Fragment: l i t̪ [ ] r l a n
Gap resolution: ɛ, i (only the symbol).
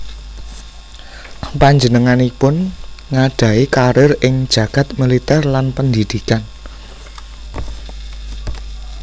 ɛ